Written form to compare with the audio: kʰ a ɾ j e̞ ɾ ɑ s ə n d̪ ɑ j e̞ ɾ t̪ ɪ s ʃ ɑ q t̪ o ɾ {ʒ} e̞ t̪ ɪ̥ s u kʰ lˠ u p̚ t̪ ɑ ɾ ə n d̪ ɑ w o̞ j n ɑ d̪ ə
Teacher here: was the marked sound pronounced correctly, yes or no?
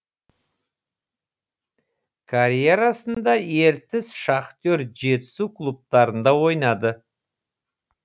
yes